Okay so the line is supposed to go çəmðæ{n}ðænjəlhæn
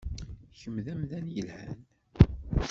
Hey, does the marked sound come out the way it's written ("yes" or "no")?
no